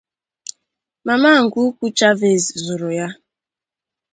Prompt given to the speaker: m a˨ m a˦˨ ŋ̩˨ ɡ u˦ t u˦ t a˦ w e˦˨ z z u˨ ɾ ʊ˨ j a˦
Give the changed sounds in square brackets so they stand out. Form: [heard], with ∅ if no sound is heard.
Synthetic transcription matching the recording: m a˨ m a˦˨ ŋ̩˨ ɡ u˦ [k] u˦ [t͡ʃ] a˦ [v] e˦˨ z z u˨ ɾ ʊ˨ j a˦